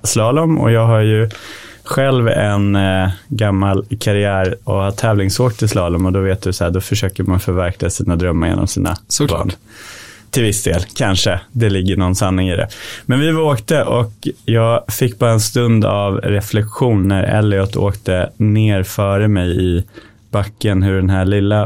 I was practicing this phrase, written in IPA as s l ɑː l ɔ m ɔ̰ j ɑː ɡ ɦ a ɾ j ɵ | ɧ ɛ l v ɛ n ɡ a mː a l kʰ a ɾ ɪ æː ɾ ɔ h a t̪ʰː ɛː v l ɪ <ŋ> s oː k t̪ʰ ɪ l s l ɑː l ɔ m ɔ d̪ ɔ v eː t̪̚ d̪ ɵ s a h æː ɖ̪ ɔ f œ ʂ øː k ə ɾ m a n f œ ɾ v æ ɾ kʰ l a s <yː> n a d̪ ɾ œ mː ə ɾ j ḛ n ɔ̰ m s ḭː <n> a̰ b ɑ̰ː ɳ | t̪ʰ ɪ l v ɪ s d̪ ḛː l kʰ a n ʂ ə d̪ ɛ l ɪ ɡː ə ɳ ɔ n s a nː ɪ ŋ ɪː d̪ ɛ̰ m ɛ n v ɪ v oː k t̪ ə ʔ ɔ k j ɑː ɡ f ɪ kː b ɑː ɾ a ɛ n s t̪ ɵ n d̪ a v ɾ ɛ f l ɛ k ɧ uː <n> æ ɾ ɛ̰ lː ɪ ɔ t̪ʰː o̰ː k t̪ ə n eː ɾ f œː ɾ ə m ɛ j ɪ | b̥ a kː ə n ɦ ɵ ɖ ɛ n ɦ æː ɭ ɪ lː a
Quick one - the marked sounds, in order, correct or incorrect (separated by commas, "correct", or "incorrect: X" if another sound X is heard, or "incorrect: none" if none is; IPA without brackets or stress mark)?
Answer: correct, incorrect: iː, correct, incorrect: nː